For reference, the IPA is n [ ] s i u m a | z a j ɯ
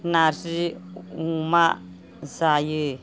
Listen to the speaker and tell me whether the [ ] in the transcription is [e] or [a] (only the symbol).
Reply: a